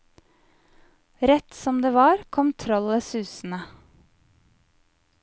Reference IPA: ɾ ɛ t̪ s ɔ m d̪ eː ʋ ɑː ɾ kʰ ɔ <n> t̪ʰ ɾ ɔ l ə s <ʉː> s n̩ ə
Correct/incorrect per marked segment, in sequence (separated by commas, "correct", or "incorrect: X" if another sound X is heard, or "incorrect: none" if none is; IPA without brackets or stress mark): incorrect: m, correct